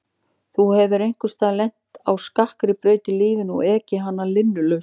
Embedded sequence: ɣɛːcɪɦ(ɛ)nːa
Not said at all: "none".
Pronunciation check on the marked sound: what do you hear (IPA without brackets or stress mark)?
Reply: a